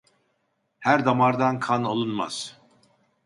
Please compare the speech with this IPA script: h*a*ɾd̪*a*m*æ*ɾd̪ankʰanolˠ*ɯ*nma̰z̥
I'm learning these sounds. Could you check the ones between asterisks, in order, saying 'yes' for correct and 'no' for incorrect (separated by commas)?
no, yes, no, no